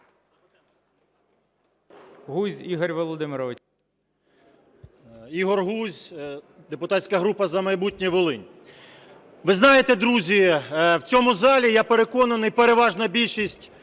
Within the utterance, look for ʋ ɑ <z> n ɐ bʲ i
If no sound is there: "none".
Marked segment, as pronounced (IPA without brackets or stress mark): ʒ